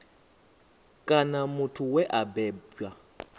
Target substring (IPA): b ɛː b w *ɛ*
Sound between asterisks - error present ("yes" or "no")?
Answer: yes